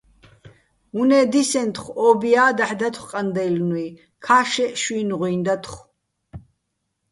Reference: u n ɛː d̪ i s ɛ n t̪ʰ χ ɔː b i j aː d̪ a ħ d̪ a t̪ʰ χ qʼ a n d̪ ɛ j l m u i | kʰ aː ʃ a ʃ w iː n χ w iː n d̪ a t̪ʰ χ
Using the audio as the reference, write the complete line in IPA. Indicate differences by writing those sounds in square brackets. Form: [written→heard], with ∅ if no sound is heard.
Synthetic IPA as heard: u n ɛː d̪ i s ɛ n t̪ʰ χ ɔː b i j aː d̪ a ħ d̪ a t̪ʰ χ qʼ a n d̪ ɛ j l [m→n] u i | kʰ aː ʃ [a→ɛ] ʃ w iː n [χ→ʁ] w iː n d̪ a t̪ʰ χ